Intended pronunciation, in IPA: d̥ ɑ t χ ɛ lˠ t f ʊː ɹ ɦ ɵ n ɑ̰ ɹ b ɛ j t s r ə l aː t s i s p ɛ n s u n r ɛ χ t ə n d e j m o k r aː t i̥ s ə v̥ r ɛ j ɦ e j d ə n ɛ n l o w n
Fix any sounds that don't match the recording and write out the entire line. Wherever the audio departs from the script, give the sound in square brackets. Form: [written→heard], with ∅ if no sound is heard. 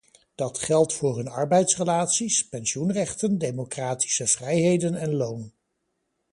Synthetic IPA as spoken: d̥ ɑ t χ ɛ lˠ t f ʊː ɹ ɦ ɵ n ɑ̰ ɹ b ɛ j t s r ə l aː t s i s p ɛ n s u n r ɛ χ t ə n d e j m o k r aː t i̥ s ə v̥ r ɛ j ɦ e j d ə n ɛ n l o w n